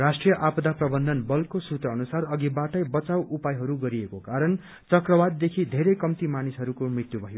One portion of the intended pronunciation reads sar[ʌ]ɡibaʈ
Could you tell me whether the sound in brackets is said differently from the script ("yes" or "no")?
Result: no